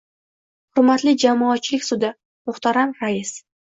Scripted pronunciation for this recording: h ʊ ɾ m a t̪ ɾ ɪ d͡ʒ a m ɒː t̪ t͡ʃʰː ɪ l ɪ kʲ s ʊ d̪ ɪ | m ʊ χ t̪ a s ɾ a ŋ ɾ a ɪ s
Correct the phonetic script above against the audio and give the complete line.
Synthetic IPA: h ʊ ɾ m a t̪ l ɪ d͡ʒ a m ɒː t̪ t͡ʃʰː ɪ l ɪ kʲ s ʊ d̪ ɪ | m ʊ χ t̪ a ɾ a m ɾ a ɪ s